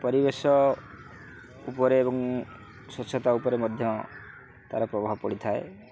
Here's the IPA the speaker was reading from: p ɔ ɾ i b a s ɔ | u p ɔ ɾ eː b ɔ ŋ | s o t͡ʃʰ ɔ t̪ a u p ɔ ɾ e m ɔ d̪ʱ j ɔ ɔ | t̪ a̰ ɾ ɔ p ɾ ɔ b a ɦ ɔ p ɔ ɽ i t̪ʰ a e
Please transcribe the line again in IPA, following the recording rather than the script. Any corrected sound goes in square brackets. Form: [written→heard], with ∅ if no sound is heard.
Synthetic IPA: p ɔ ɾ i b [a→e] s ɔ | u p ɔ ɾ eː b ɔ ŋ | s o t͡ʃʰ ɔ t̪ a u p ɔ ɾ e m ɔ d̪ʱ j ɔ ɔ | t̪ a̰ ɾ ɔ p ɾ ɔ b a ɦ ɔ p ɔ ɽ i t̪ʰ a e